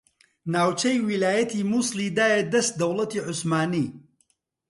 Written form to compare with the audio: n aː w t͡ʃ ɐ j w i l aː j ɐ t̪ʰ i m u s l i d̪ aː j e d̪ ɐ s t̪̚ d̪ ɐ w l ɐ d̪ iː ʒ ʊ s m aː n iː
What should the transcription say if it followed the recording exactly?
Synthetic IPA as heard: n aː w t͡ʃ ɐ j w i l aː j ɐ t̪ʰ i m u s l i d̪ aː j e d̪ ɐ s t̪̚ d̪ ɐ w l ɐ t̪ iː ʕ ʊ s m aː n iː